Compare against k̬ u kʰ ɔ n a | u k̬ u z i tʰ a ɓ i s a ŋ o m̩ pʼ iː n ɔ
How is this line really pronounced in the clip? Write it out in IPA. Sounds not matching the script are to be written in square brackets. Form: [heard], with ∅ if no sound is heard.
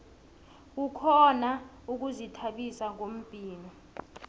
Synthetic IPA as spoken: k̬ u kʰ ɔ n a | u k̬ u z i tʰ a ɓ i s a ŋ o m̩ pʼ iː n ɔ